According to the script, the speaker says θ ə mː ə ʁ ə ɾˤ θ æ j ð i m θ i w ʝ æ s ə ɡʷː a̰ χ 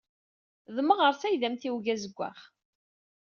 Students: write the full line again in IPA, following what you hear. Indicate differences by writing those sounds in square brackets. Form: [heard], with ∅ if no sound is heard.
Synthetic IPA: [ð] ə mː ə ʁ ə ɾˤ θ æ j ð [æ] m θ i w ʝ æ [z] ə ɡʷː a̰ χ